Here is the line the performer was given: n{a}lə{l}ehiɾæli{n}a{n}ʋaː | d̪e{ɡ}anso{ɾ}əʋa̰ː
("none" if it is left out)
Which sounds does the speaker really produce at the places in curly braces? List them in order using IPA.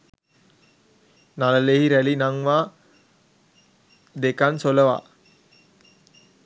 a, l, n, ŋ, k, l

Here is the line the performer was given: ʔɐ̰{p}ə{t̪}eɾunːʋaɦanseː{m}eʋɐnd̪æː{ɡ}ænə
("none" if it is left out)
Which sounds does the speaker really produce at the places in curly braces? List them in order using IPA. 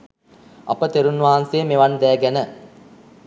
p, t̪, m, ɡ

